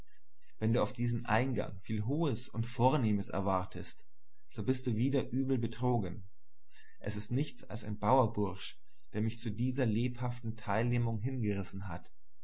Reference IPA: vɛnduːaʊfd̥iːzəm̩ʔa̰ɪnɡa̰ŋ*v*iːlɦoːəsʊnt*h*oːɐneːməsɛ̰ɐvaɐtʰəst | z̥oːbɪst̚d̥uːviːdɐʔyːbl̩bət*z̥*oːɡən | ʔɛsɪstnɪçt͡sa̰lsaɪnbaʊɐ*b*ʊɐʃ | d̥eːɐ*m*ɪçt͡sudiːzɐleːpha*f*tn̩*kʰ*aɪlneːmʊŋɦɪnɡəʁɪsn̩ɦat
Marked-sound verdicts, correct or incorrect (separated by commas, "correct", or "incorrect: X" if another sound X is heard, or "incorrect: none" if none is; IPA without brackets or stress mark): incorrect: f, incorrect: f, incorrect: ʁ̥, correct, correct, correct, incorrect: tʰ